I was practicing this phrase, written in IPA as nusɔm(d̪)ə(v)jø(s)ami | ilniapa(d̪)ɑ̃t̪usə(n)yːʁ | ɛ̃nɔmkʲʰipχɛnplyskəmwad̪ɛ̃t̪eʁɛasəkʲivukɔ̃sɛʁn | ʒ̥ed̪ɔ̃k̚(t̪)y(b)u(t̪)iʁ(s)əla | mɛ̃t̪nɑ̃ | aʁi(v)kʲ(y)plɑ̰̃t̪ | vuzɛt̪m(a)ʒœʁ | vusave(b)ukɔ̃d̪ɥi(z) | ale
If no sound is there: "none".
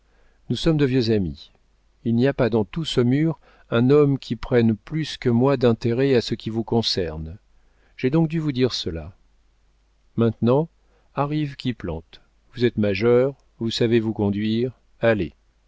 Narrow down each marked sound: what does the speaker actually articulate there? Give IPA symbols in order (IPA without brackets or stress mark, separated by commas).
d̪, v, z, d̪, m, d̪, v, d̪, s, v, i, a, v, ʁ